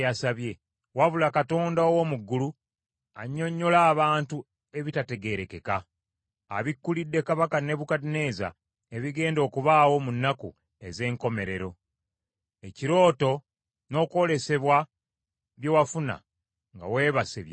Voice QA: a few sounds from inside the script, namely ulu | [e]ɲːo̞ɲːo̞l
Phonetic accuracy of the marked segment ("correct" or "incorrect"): incorrect